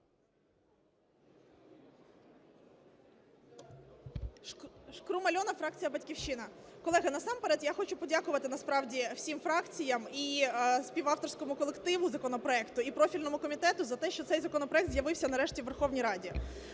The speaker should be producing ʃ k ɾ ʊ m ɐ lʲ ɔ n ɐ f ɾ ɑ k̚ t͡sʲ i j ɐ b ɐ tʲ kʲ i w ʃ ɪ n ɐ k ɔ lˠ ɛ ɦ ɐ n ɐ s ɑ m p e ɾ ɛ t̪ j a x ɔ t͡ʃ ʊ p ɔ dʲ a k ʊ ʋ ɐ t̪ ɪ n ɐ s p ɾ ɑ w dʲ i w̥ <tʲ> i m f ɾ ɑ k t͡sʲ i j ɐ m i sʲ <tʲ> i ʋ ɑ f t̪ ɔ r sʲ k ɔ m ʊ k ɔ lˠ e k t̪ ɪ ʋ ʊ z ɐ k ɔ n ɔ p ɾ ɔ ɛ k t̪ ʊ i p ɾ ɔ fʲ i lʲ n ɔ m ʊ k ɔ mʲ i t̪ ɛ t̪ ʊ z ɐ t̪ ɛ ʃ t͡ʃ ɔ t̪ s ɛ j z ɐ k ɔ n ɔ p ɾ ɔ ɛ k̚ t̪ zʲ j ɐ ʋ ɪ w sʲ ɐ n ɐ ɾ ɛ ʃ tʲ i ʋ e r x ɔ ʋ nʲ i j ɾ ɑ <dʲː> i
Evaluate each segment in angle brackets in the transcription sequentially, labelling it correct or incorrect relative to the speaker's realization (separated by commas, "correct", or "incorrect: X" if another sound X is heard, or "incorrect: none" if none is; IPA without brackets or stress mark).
incorrect: sʲ, incorrect: pʲ, incorrect: dʲ